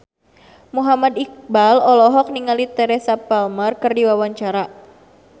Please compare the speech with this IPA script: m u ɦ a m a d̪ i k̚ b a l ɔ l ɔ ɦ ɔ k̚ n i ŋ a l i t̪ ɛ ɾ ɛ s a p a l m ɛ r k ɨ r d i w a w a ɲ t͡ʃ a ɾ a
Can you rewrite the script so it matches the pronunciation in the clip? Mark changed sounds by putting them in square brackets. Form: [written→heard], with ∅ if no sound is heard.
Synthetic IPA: m u ɦ a m a d̪ i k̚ b a l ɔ l ɔ ɦ ɔ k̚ n i ŋ a l i t̪ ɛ ɾ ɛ s a p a l m [ɛ→a] r k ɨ r d i w a w a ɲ t͡ʃ a ɾ a